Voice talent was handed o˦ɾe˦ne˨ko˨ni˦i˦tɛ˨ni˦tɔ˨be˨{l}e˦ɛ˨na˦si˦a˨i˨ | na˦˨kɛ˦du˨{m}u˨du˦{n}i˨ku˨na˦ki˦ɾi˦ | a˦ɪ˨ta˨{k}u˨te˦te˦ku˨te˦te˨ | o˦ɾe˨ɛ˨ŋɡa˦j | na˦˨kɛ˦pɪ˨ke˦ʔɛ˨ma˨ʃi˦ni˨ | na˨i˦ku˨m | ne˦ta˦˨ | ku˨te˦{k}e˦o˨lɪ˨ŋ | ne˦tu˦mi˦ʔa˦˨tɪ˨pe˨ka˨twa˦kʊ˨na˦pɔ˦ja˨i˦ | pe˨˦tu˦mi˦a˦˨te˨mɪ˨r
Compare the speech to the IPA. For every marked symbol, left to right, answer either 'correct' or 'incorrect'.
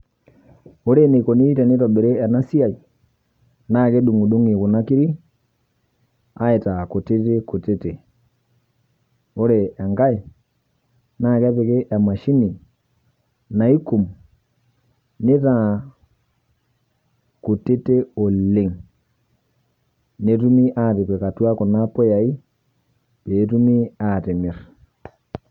incorrect, incorrect, incorrect, correct, incorrect

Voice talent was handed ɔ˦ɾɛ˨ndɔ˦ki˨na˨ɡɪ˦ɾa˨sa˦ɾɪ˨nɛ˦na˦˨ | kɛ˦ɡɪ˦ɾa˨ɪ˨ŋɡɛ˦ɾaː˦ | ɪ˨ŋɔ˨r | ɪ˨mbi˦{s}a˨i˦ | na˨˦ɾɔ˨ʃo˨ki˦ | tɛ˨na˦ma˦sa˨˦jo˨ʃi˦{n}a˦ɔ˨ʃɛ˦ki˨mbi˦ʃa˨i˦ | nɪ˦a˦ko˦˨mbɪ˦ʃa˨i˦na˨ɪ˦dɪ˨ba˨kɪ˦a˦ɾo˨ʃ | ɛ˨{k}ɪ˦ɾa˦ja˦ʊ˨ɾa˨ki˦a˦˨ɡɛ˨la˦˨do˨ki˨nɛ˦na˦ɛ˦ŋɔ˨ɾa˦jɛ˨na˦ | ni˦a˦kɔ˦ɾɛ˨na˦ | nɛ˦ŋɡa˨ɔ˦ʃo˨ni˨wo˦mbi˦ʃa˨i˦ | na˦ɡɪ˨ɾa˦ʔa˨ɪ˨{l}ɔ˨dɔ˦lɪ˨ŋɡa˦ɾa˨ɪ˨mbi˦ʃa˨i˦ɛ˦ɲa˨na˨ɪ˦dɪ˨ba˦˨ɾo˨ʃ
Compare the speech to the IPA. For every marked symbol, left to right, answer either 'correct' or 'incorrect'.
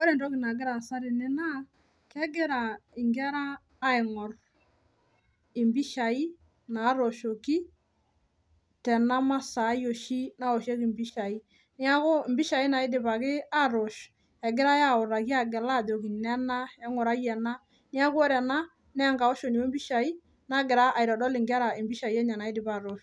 incorrect, correct, incorrect, incorrect

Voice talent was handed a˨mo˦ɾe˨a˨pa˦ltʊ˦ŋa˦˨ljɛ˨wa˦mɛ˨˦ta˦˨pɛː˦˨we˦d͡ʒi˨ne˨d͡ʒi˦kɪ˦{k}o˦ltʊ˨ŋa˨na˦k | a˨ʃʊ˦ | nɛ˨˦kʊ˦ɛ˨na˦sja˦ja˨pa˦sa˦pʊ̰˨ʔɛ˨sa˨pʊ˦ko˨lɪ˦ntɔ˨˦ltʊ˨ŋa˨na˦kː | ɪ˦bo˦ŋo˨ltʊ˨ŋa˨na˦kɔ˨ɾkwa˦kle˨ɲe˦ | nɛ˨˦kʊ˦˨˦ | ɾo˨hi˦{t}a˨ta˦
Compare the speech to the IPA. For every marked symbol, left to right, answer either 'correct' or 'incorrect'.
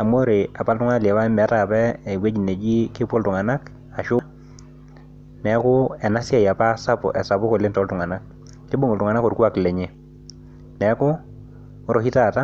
incorrect, correct

